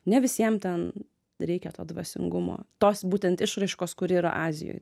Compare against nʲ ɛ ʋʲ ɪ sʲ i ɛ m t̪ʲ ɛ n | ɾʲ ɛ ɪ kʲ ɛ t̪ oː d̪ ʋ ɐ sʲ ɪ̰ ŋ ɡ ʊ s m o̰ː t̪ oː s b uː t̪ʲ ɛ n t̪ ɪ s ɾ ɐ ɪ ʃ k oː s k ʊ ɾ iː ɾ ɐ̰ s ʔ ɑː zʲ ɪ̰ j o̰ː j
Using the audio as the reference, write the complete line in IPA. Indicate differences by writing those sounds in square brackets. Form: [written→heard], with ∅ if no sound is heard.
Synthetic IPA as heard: nʲ ɛ ʋʲ ɪ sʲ i ɛ m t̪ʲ ɛ n | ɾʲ ɛ ɪ kʲ ɛ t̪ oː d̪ ʋ ɐ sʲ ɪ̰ ŋ ɡ ʊ [s→∅] m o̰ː t̪ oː s b uː t̪ʲ ɛ n t̪ ɪ [s→ʃ] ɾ ɐ ɪ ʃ k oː s k ʊ ɾ iː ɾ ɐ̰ [s→∅] ʔ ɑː zʲ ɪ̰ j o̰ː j

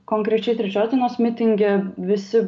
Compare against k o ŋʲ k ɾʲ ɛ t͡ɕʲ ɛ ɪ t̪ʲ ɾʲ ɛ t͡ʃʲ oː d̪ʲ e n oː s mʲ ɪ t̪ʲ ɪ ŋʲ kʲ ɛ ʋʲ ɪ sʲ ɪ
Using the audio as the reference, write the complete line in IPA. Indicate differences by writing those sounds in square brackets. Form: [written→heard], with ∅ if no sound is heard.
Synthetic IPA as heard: k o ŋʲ k ɾʲ ɛ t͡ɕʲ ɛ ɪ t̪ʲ ɾʲ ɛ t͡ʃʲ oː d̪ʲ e n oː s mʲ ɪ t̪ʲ ɪ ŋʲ [kʲ→ɡʲ] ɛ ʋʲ ɪ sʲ ɪ

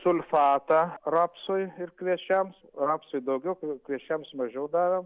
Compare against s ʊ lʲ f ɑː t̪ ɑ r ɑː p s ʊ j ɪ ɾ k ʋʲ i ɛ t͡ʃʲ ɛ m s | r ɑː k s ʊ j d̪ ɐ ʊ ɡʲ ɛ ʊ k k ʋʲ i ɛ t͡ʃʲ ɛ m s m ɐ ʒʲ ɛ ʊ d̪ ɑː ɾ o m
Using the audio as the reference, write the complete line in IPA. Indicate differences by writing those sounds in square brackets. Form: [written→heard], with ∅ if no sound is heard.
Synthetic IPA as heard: s ʊ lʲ f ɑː t̪ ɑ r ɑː p s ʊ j ɪ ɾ k ʋʲ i ɛ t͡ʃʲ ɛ m s | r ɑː [k→p] s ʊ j d̪ ɐ ʊ ɡʲ ɛ ʊ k k ʋʲ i ɛ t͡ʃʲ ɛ m s m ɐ ʒʲ ɛ ʊ d̪ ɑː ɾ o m

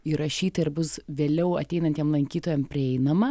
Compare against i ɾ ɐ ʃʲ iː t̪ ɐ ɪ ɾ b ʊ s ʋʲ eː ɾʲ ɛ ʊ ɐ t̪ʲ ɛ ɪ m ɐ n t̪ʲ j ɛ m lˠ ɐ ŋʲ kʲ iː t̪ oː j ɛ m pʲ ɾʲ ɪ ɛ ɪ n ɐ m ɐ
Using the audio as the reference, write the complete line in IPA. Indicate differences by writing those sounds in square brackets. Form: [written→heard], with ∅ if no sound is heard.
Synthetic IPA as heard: i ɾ ɐ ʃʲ iː t̪ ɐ ɪ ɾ b ʊ s ʋʲ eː [ɾʲ→lʲ] ɛ ʊ ɐ t̪ʲ ɛ ɪ [m→n] ɐ n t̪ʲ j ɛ m lˠ ɐ ŋʲ kʲ iː t̪ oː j ɛ m pʲ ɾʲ ɪ ɛ ɪ n ɐ m ɐ

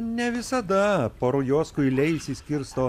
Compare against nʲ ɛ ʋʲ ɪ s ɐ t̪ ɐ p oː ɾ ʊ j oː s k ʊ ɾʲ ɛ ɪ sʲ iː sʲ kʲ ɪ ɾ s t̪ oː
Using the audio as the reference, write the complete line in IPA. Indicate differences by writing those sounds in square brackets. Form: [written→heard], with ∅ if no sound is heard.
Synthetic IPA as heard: nʲ ɛ ʋʲ ɪ s ɐ [t̪→d̪] ɐ p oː ɾ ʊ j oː s k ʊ [ɾʲ→lʲ] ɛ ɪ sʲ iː sʲ kʲ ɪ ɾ s t̪ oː

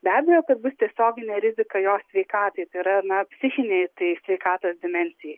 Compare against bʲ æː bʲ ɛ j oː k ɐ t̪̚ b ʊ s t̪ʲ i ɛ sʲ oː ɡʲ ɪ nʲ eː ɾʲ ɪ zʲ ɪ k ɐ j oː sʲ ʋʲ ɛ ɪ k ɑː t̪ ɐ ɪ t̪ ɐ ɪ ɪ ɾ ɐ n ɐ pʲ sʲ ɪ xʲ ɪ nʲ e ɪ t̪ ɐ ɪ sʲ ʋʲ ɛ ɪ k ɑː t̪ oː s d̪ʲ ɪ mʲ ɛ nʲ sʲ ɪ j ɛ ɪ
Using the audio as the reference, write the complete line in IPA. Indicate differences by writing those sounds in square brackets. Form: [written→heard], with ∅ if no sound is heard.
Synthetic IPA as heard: bʲ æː bʲ ɛ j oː k ɐ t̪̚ b ʊ s t̪ʲ i ɛ sʲ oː ɡʲ ɪ nʲ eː ɾʲ ɪ zʲ ɪ k ɐ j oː sʲ ʋʲ ɛ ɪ k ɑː t̪ ɐ ɪ t̪ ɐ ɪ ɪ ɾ ɐ n ɐ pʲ sʲ ɪ xʲ ɪ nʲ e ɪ t̪ ɐ ɪ sʲ ʋʲ ɛ ɪ k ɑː t̪ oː s d̪ʲ ɪ mʲ ɛ nʲ sʲ ɪ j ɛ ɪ

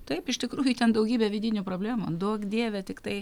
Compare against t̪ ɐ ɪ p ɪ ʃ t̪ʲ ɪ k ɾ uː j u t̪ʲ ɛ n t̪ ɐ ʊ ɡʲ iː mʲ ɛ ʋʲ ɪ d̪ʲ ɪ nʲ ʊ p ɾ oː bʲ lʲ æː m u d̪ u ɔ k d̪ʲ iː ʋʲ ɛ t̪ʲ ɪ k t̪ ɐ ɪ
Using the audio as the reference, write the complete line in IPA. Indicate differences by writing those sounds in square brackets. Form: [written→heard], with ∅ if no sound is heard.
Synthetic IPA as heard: t̪ ɐ ɪ p ɪ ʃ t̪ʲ ɪ k ɾ uː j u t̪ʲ ɛ n [t̪→d̪] ɐ ʊ ɡʲ iː [mʲ→bʲ] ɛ ʋʲ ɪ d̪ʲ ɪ nʲ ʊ p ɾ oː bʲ lʲ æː m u d̪ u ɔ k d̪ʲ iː ʋʲ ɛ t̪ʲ ɪ k t̪ ɐ ɪ

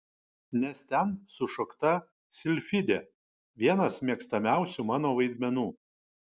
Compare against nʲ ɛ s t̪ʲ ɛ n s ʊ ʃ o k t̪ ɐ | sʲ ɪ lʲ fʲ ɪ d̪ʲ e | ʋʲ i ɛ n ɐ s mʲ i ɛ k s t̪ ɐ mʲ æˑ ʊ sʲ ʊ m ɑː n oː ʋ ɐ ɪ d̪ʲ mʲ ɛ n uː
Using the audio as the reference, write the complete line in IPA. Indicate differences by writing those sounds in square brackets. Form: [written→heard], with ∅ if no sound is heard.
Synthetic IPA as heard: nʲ ɛ s t̪ʲ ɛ n s ʊ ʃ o k t̪ ɐ | sʲ ɪ lʲ fʲ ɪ d̪ʲ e | ʋʲ i ɛ n ɐ s mʲ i ɛ k s t̪ ɐ mʲ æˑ ʊ sʲ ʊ m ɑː n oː ʋ ɐ ɪ d̪ʲ mʲ ɛ n uː

